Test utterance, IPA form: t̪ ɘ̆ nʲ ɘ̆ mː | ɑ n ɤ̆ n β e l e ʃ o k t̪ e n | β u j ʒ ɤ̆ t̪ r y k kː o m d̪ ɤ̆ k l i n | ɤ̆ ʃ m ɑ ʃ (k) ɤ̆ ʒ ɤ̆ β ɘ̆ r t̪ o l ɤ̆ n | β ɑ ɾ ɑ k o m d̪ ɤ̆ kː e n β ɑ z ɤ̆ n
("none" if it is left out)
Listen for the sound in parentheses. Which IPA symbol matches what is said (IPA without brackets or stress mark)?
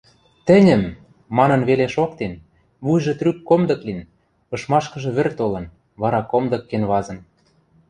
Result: k